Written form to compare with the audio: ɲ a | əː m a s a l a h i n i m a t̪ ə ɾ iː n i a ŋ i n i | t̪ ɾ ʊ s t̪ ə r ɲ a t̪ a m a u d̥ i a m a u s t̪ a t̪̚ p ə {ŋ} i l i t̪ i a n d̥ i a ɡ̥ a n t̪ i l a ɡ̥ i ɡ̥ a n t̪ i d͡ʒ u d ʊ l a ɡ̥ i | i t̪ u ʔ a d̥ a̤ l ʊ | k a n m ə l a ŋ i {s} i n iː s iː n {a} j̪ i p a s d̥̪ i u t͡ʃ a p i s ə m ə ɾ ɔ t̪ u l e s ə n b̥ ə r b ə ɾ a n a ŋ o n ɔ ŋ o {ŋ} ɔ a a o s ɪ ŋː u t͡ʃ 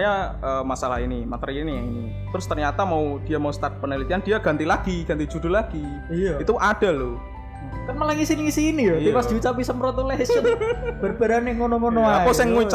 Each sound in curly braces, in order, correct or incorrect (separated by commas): incorrect, correct, incorrect, incorrect